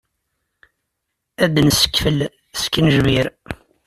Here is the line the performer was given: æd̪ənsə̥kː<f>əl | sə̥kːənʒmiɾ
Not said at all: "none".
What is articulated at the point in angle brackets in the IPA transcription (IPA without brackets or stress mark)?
f